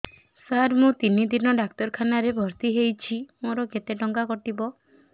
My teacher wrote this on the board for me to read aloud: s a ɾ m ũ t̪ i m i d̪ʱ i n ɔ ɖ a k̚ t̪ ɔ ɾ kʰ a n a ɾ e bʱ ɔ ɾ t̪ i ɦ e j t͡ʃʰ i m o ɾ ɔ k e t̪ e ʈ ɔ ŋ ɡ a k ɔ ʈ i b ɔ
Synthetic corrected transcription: s a ɾ m ũ t̪ i n i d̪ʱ i n ɔ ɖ a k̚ t̪ ɔ ɾ kʰ a n a ɾ e bʱ ɔ ɾ t̪ i ɦ e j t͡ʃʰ i m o ɾ ɔ k e t̪ e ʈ ɔ ŋ ɡ a k ɔ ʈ i b ɔ